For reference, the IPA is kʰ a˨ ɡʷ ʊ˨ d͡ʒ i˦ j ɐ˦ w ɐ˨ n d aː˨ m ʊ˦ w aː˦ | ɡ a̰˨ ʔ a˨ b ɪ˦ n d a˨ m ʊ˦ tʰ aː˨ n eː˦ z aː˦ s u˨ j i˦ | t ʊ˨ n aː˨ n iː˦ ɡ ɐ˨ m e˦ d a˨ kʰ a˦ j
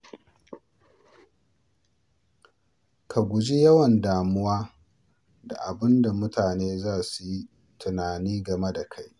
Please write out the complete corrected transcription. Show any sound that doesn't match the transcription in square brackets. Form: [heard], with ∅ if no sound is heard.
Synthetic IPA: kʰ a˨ ɡʷ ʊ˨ d͡ʒ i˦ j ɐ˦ w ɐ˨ n d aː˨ m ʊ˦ w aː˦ | [d] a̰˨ ʔ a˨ b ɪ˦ n d a˨ m ʊ˦ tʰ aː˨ n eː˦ z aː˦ s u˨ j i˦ | t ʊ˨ n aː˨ n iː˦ ɡ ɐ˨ m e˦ d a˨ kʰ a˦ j